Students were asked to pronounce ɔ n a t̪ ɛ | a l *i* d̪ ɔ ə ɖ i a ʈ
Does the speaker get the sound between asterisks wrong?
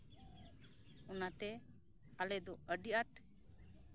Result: yes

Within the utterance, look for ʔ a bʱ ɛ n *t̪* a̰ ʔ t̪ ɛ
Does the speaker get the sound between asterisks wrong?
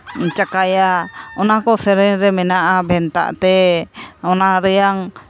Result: no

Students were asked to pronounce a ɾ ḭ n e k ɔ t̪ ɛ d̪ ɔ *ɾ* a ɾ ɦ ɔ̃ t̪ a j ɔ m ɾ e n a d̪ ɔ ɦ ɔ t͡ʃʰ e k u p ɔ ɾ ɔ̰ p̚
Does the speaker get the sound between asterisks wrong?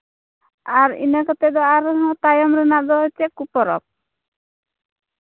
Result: yes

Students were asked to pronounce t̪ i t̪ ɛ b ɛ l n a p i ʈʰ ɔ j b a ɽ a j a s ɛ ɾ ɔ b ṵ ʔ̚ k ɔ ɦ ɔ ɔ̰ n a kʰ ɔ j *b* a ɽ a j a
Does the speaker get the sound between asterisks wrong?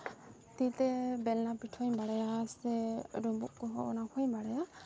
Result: no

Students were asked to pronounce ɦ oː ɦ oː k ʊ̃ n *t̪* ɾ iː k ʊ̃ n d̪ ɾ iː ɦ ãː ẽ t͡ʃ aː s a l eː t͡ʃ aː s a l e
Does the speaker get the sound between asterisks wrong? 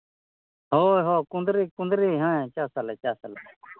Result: yes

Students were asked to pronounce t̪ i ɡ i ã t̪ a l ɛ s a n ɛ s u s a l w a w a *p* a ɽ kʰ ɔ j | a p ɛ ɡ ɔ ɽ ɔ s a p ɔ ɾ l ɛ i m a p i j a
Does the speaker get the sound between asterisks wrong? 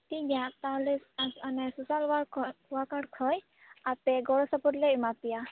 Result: yes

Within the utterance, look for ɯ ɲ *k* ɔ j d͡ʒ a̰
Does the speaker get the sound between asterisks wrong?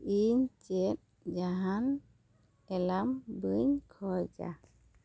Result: yes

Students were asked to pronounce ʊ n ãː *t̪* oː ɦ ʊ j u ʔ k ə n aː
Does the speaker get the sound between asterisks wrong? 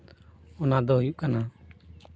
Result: yes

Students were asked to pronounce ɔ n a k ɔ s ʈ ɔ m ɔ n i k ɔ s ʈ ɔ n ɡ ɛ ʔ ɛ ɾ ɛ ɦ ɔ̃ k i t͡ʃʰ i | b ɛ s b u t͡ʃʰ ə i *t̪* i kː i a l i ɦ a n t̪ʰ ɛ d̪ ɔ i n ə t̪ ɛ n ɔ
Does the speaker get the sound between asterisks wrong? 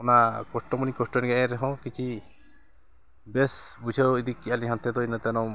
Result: yes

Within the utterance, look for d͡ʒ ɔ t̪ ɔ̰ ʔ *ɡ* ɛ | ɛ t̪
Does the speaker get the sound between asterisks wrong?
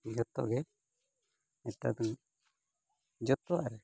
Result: no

